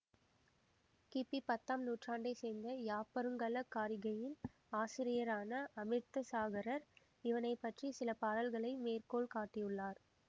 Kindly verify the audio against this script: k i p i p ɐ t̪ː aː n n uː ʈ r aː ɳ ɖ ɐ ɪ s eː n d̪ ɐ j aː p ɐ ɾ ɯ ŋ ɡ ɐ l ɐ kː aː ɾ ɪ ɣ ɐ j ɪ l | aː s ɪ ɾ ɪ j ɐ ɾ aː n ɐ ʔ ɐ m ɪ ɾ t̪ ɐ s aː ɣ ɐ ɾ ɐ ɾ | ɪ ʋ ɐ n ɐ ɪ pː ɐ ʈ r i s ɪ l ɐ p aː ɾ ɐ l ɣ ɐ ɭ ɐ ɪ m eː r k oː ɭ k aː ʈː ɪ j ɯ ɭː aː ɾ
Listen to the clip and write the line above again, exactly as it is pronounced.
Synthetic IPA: k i p i p ɐ t̪ː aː m n uː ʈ r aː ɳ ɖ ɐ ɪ s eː n d̪ ɐ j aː p ɐ ɾ ɯ ŋ ɡ ɐ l ɐ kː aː ɾ ɪ ɣ ɐ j ɪ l | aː s ɪ ɾ ɪ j ɐ ɾ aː n ɐ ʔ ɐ m ɪ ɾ t̪ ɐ s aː ɣ ɐ ɾ ɐ ɾ | ɪ ʋ ɐ n ɐ ɪ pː ɐ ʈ r i s ɪ l ɐ p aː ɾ ɐ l ɣ ɐ ɭ ɐ ɪ m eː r k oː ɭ k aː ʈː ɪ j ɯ ɭː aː ɾ

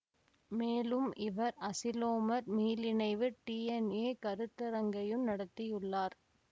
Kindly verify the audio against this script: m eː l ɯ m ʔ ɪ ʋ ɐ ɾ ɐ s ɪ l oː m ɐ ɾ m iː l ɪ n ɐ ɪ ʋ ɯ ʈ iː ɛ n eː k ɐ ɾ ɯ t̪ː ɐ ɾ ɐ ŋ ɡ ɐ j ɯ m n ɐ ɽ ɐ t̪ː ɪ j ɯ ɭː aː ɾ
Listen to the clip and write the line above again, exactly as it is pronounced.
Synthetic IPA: m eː l ɯ m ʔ ɪ ʋ ɐ ɾ ɐ s ɪ l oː m ɐ ɾ m iː l ɪ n ɐ ɪ ʋ ɯ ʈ iː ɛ n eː k ɐ ɾ ɯ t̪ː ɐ ɾ ɐ ŋ ɡ ɐ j ɯ m n ɐ ɽ ɐ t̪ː ɪ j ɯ ɭː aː ɾ

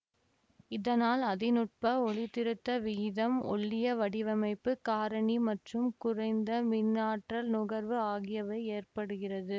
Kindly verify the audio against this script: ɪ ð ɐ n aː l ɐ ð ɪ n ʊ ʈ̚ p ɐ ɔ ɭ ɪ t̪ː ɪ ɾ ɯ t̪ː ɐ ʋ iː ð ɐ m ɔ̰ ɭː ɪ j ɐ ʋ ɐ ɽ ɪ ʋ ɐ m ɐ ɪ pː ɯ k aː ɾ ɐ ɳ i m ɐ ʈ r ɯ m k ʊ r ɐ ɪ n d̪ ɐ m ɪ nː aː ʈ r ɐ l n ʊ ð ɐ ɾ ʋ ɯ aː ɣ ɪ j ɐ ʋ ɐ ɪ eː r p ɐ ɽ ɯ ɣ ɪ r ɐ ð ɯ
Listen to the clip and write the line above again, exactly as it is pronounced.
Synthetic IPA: ɪ ð ɐ n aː l ɐ ð ɪ n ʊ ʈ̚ p ɐ ɔ ɭ ɪ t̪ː ɪ ɾ ɯ t̪ː ɐ ʋ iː ð ɐ m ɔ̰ ɭː ɪ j ɐ ʋ ɐ ɽ ɪ ʋ ɐ m ɐ ɪ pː ɯ k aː ɾ ɐ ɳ i m ɐ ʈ r ɯ m k ʊ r ɐ ɪ n d̪ ɐ m ɪ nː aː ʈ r ɐ l n ʊ ɣ ɐ ɾ ʋ ɯ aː ɣ ɪ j ɐ ʋ ɐ ɪ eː r p ɐ ɽ ɯ ɣ ɪ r ɐ ð ɯ

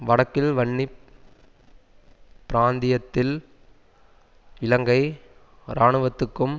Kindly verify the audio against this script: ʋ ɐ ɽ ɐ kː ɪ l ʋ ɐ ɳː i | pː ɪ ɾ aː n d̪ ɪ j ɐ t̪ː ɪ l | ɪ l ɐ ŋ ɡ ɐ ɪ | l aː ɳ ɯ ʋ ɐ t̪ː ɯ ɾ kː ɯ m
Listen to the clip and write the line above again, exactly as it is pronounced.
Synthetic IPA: ʋ ɐ ɽ ɐ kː ɪ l ʋ ɐ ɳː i | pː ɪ ɾ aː n d̪ ɪ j ɐ t̪ː ɪ l | ɪ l ɐ ŋ ɡ ɐ ɪ | ɾ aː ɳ ɯ ʋ ɐ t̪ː ɯ kː ɯ m

